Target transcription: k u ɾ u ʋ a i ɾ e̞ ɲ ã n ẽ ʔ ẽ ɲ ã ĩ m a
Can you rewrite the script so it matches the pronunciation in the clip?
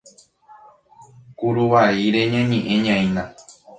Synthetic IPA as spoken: k u ɾ u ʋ a i ɾ e̞ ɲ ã ɲ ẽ ʔ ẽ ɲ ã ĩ n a